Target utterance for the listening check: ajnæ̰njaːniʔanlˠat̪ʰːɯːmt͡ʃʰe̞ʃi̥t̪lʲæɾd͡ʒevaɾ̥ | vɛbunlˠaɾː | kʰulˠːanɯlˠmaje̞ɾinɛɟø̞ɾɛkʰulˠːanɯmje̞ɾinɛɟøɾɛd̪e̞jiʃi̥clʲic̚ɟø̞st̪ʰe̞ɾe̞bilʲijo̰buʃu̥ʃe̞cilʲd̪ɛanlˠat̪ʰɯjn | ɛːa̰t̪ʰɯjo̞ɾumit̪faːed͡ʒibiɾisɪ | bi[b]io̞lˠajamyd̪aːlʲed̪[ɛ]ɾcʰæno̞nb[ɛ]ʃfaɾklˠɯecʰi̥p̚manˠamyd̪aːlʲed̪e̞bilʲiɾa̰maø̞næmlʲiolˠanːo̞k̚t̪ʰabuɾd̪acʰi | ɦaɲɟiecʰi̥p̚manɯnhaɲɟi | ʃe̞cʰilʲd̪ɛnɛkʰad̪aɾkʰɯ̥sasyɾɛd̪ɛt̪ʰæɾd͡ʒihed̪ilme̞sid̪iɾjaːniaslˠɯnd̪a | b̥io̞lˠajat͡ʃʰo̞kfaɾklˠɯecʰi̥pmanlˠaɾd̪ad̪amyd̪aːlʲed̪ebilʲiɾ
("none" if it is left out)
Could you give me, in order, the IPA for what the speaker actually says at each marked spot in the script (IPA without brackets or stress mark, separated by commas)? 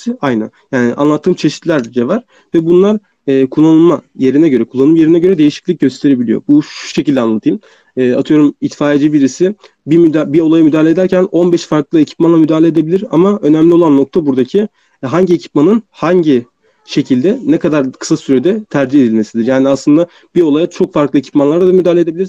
b, æ, ɛ